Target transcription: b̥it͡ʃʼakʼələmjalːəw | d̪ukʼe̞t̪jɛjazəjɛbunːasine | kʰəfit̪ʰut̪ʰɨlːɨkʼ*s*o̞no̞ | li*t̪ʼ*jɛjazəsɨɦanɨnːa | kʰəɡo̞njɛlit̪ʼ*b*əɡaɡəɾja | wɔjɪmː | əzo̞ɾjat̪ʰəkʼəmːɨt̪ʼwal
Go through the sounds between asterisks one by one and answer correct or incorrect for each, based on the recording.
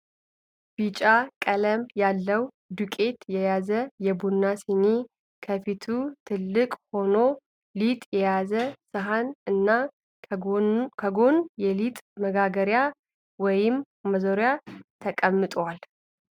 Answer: incorrect: h, correct, incorrect: m

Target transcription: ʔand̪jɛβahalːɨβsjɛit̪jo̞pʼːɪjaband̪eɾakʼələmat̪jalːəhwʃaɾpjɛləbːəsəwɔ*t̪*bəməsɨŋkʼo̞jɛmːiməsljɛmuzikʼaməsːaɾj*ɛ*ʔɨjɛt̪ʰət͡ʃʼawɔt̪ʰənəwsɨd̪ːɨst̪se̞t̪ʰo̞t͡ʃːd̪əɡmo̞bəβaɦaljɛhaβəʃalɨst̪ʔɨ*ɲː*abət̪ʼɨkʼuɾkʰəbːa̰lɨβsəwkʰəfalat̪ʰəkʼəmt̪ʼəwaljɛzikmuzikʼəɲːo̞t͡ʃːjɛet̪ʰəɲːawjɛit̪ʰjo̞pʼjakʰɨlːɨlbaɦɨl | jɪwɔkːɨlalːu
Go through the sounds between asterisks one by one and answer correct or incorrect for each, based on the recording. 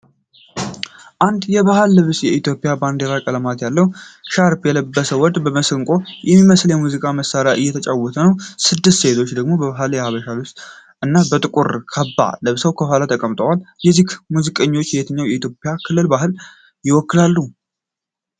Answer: incorrect: d̪, incorrect: a, incorrect: nː

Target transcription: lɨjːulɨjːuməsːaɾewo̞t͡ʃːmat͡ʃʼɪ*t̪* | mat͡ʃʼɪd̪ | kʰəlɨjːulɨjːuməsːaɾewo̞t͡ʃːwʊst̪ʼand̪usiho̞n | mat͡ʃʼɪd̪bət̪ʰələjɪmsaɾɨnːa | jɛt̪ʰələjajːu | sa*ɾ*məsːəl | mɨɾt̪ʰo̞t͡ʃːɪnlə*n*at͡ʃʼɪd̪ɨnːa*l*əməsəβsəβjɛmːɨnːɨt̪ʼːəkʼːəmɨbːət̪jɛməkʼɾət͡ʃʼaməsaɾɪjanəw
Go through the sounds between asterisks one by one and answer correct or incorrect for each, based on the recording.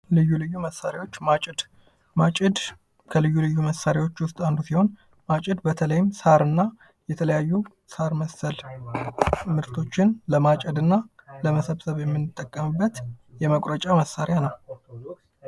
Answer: incorrect: d̪, correct, incorrect: m, correct

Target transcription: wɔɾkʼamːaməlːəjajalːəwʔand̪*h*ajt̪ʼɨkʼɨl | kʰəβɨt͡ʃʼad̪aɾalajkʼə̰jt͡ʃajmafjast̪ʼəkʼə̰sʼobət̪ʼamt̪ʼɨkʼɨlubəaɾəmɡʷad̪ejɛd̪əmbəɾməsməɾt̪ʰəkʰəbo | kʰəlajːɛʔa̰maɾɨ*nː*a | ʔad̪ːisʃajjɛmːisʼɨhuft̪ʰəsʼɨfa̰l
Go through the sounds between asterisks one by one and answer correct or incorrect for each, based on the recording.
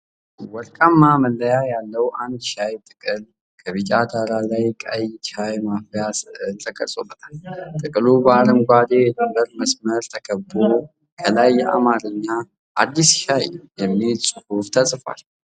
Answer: incorrect: ʃ, incorrect: ɲː

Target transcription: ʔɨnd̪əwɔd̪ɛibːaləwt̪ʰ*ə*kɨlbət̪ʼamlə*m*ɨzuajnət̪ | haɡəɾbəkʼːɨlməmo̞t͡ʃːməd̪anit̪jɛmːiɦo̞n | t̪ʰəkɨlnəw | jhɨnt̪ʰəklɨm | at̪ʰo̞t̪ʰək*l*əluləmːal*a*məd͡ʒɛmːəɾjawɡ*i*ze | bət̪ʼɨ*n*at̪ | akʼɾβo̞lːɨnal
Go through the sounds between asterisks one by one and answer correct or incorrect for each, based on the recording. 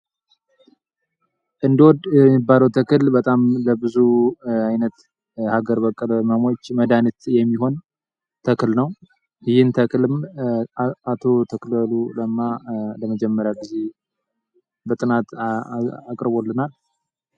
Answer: correct, incorrect: b, correct, incorrect: ə, correct, correct

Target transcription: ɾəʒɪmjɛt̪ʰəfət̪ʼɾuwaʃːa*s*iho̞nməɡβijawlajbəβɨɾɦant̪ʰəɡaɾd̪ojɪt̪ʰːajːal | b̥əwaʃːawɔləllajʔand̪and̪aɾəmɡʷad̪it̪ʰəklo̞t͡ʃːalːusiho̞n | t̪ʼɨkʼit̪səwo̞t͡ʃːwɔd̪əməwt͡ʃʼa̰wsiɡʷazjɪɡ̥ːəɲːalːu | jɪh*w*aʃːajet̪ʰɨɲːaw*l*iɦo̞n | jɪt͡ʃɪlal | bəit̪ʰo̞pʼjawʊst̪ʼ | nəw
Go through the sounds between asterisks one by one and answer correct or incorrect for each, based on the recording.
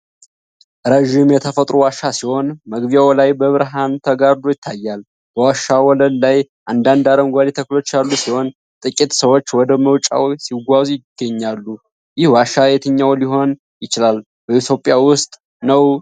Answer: correct, correct, correct

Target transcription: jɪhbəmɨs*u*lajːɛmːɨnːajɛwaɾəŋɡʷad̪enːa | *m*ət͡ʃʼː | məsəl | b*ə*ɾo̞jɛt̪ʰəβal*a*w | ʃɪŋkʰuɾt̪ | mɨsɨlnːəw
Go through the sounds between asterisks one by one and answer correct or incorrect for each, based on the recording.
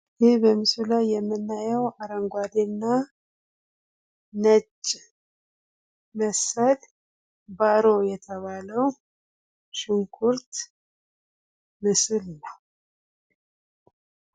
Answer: correct, incorrect: n, incorrect: a, incorrect: ə

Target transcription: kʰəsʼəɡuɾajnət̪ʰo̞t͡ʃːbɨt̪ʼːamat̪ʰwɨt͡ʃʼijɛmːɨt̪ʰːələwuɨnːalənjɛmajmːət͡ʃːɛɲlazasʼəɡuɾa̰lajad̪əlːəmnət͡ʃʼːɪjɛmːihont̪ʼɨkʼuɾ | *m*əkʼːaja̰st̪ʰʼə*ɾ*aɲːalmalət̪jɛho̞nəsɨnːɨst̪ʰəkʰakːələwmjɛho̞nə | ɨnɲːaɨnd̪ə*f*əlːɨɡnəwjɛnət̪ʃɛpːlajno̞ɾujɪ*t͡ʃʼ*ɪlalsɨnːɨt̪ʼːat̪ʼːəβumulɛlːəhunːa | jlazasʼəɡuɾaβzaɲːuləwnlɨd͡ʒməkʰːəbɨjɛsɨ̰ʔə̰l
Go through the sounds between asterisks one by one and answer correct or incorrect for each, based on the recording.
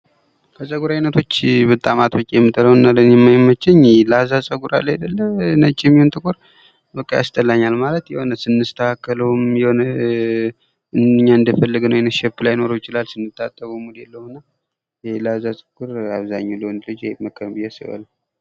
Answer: incorrect: b, incorrect: l, correct, incorrect: t͡ʃ

